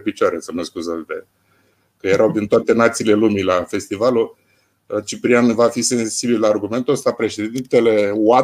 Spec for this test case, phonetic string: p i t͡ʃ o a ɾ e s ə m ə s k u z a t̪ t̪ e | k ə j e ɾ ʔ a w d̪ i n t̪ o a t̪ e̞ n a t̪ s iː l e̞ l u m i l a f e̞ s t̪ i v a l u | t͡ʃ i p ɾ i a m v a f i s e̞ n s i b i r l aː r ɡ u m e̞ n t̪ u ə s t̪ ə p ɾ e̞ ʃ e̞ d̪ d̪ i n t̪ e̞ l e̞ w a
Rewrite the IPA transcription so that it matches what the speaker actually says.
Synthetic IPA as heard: p i t͡ʃ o a ɾ e s ə m ə s k u z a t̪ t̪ e | k ə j e ɾ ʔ a w d̪ i n t̪ o a t̪ e̞ n a t̪ s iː l e̞ l u m i l a f e̞ s t̪ i v a l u | t͡ʃ i p ɾ i a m v a f i s e̞ n s i b i l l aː r ɡ u m e̞ n t̪ u ə s t̪ a p ɾ e̞ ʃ e̞ d̪ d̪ i n t̪ e̞ l e̞ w a